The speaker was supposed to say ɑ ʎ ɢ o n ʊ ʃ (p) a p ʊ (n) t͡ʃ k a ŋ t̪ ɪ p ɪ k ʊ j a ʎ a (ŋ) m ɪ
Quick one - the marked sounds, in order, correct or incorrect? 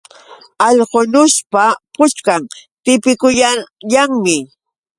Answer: correct, incorrect, correct

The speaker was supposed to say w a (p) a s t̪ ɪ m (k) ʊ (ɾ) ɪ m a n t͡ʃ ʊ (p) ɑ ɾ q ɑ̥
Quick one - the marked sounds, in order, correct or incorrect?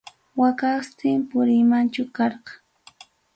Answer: incorrect, incorrect, correct, incorrect

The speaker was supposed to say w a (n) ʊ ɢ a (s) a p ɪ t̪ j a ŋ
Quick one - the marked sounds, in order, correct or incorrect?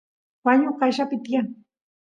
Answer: incorrect, incorrect

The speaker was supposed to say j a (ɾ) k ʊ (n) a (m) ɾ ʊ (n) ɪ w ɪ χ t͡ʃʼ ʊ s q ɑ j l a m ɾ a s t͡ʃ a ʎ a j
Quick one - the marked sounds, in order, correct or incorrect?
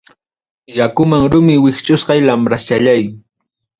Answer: incorrect, incorrect, incorrect, incorrect

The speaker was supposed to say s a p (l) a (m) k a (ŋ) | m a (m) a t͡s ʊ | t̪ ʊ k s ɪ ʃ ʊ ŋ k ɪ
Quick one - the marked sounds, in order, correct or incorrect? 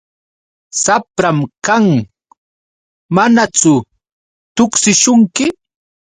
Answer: incorrect, correct, correct, incorrect

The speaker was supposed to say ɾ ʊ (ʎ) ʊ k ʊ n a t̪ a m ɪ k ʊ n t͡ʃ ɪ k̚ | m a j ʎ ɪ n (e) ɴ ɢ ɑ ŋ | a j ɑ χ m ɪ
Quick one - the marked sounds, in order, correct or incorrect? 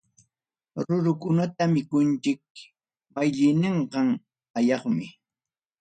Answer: incorrect, correct

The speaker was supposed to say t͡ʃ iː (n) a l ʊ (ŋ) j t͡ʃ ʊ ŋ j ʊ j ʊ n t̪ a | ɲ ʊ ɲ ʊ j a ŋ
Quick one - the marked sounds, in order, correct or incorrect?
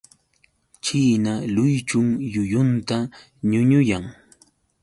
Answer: correct, incorrect

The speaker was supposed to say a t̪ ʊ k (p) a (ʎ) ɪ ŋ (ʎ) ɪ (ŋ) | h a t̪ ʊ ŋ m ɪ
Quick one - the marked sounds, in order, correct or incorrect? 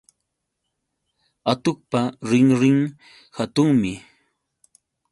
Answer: correct, incorrect, incorrect, correct

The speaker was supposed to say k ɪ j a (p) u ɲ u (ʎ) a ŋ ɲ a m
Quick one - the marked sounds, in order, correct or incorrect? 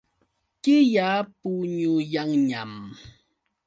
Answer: correct, incorrect

